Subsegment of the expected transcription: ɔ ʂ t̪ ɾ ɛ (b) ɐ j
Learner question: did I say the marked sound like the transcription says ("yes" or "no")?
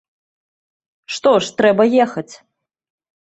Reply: yes